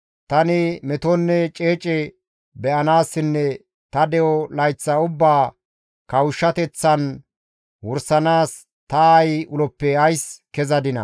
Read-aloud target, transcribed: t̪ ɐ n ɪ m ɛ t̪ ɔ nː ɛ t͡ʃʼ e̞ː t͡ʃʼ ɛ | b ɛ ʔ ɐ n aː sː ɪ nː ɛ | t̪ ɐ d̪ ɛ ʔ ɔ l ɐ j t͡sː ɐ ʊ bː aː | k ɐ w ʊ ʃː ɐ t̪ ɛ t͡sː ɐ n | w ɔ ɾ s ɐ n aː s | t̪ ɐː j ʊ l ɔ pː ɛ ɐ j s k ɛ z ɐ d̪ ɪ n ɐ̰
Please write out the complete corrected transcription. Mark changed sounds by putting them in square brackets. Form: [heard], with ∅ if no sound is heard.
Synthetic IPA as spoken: t̪ ɐ n ɪ m ɛ t̪ ɔ nː ɛ t͡ʃʼ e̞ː t͡ʃʼ ɛ | b ɛ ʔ ɐ n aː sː ɪ nː ɛ | t̪ ɐ d̪ ɛ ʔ ɔ l ɐ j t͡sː ɐ ʊ bː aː | k ɐ w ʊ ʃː ɐ t̪ ɛ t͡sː ɐ n | w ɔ ɾ s ɐ n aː s | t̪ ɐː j ʊ l ɔ pː ɛ ɐ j s k ɛ z ɐ d̪ ɪ n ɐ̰